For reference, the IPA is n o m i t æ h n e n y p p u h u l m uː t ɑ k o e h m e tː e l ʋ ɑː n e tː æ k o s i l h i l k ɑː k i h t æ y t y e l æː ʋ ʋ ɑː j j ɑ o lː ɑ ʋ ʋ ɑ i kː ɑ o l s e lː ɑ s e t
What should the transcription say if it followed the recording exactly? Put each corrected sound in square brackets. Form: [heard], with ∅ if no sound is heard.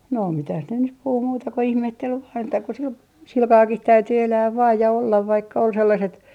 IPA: n o m i t æ h n e n y p p u h u [∅] m uː t ɑ k o [i] h m e tː e l ʋ ɑː n e tː æ k o s i l [s] i l k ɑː k i h t æ y t y e l æː ʋ ʋ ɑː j j ɑ o lː ɑ ʋ ʋ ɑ i kː ɑ o l s e lː ɑ s e t